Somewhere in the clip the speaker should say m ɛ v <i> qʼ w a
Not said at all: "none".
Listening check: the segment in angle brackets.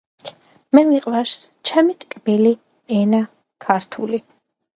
i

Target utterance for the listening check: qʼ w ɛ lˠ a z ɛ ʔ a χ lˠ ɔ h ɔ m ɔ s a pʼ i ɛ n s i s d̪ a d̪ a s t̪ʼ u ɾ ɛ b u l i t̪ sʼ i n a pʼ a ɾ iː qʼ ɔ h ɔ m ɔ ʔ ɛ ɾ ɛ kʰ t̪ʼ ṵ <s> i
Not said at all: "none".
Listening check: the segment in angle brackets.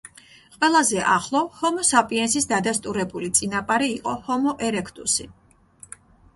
s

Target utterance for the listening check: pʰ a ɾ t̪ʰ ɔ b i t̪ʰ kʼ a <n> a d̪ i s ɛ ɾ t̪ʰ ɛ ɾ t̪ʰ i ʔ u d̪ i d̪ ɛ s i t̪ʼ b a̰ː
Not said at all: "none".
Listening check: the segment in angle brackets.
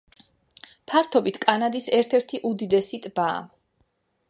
n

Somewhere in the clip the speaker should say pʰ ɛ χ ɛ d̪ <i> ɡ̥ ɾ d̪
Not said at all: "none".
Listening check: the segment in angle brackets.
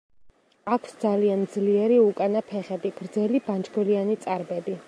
i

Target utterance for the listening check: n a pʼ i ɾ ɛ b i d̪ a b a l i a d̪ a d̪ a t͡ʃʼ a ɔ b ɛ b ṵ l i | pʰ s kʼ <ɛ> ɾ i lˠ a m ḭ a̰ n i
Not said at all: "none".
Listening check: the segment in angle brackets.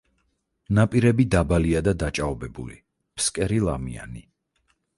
ɛ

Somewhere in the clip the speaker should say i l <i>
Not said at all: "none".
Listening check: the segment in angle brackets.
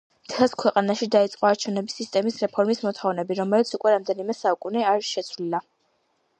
a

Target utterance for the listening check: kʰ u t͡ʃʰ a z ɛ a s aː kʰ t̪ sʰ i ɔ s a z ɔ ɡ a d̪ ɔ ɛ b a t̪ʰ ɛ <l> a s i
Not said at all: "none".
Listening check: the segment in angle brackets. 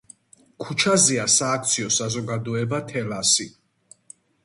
l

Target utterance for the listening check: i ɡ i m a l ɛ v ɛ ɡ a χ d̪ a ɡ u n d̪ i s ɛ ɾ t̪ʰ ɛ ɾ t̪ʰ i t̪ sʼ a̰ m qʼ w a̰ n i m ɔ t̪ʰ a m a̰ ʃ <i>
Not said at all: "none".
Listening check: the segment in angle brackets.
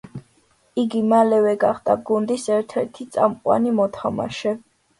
ɛ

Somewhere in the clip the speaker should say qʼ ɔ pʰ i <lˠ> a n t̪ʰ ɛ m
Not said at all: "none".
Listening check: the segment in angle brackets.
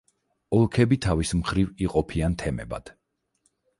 none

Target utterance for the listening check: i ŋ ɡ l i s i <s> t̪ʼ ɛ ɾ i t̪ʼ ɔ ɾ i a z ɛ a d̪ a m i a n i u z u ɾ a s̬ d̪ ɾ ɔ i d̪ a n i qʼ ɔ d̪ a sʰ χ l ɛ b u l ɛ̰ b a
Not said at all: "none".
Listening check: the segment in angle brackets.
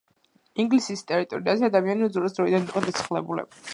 s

